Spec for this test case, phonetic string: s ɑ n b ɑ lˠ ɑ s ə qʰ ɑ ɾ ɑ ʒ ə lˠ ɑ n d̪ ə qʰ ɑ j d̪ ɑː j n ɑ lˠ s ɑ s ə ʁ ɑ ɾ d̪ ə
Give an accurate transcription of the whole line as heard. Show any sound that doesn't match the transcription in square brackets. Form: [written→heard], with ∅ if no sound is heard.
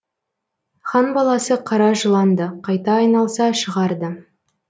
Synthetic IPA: [s→χ] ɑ n b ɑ lˠ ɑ s ə qʰ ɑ ɾ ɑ ʒ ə lˠ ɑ n d̪ ə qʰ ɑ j [d̪→t̪] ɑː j n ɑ lˠ s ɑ [s→ʃ] ə ʁ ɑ ɾ d̪ ə